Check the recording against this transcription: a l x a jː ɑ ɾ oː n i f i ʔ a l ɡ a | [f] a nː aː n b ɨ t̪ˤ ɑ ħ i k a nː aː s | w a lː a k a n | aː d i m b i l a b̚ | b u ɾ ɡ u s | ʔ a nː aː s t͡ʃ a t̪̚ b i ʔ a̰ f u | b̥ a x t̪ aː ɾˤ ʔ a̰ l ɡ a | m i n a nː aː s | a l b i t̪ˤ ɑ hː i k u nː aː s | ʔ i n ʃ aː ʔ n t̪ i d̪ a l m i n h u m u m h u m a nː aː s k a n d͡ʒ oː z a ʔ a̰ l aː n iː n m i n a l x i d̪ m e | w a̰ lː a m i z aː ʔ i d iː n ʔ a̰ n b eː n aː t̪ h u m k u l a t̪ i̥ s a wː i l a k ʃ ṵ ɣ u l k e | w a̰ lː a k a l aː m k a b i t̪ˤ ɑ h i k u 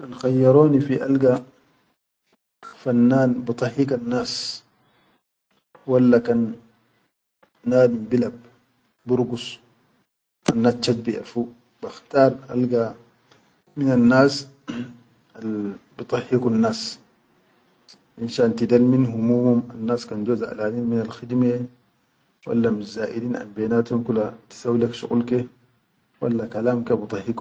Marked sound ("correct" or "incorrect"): correct